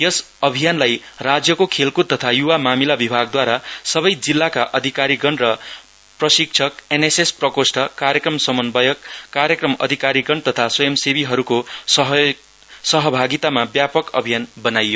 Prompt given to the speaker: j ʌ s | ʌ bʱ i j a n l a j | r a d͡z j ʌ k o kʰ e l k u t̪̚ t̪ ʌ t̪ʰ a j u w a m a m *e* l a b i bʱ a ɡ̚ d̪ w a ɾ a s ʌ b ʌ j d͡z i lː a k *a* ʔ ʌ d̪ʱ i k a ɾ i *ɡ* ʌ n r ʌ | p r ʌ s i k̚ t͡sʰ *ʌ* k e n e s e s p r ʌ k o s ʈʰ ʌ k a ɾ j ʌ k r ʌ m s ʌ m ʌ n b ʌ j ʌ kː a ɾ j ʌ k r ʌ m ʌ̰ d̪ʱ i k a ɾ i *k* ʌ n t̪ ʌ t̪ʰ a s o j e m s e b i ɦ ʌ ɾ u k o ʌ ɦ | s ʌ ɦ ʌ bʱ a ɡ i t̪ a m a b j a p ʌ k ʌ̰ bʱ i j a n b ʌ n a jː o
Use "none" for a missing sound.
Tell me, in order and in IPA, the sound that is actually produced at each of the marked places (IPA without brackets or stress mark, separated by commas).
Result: i, a, ɡ, ʌ, ɡ